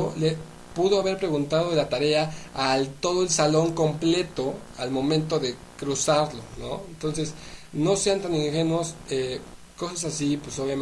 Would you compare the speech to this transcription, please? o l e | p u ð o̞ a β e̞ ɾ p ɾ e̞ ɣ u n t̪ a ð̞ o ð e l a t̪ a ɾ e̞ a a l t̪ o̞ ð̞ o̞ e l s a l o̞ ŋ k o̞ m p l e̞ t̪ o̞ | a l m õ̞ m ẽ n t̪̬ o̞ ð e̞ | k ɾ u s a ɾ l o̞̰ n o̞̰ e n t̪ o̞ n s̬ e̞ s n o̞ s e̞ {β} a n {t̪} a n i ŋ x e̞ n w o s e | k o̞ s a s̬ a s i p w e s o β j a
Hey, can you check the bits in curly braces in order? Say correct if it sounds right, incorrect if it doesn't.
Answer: incorrect: none, correct

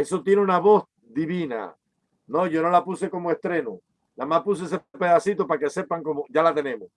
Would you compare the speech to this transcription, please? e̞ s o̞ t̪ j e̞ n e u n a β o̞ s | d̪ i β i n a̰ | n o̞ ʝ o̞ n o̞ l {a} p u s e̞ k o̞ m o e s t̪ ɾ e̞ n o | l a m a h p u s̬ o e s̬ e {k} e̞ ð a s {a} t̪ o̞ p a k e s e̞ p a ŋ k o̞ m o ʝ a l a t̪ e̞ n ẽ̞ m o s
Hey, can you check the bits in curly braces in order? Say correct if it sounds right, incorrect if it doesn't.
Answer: correct, incorrect: p, incorrect: i

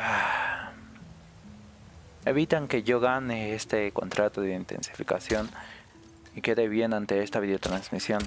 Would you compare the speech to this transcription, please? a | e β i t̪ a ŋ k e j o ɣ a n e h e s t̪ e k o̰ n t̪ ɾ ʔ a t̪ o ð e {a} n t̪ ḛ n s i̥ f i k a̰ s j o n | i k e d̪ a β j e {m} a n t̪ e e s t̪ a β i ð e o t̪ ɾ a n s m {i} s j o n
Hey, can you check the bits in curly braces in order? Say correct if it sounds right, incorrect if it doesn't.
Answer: incorrect: i, incorrect: n, correct

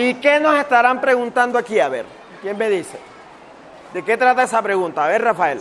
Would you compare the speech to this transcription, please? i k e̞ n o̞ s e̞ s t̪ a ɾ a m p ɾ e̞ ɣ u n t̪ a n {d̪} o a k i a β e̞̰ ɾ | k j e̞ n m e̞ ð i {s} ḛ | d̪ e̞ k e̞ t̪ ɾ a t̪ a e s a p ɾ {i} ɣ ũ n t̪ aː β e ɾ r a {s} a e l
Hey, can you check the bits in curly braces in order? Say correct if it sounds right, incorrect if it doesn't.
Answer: correct, correct, incorrect: e, incorrect: f

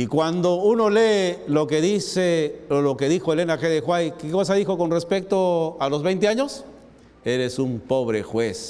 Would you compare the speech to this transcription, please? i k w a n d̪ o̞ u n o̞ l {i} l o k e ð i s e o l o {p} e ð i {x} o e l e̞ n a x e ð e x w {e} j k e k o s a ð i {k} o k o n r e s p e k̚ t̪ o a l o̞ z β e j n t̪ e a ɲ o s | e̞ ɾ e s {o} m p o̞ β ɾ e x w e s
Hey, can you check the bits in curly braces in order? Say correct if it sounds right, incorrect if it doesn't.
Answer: incorrect: e, incorrect: k, correct, incorrect: a, incorrect: x, incorrect: u

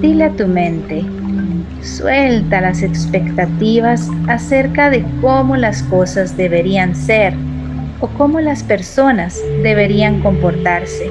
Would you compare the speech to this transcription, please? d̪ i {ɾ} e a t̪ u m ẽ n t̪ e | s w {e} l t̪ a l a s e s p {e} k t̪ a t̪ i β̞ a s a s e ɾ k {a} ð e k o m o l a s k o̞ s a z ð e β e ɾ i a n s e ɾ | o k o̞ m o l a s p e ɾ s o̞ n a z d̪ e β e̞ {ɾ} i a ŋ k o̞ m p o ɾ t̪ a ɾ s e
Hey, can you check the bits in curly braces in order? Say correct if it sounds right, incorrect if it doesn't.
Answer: incorrect: l, correct, correct, correct, correct

